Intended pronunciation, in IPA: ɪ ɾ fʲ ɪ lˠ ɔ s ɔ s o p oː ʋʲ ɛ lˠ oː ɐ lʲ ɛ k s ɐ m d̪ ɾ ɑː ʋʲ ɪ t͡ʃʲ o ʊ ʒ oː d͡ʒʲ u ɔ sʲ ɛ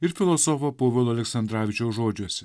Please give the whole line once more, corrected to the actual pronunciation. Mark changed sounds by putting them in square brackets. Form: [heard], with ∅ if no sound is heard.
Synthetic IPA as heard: ɪ ɾ fʲ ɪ lˠ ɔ s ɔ [f] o p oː ʋʲ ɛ lˠ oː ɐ lʲ ɛ k s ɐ [n] d̪ ɾ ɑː ʋʲ ɪ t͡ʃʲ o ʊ ʒ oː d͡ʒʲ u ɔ sʲ ɛ